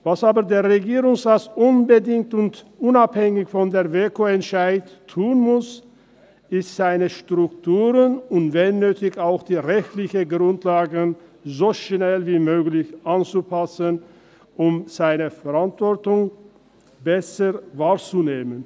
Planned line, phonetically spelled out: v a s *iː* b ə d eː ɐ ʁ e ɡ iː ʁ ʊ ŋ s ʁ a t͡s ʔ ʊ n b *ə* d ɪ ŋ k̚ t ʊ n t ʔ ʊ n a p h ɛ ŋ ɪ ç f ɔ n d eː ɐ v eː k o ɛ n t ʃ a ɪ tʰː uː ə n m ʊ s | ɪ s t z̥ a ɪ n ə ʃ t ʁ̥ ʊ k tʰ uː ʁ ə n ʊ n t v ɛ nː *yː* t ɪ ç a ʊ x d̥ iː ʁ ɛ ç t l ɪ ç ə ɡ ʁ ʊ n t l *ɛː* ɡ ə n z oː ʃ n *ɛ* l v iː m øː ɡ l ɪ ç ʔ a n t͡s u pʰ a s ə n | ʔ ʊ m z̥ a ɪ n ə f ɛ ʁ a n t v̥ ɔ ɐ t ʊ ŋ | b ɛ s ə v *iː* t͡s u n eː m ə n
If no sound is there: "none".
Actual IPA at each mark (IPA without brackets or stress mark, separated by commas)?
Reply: aː, ə, øː, aː, ɛ, aː